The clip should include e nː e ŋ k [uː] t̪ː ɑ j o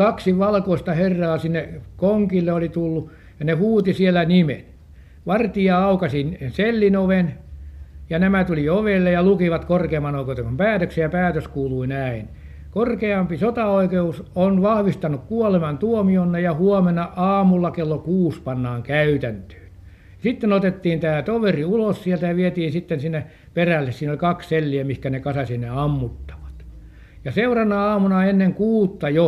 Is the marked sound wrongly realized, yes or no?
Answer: no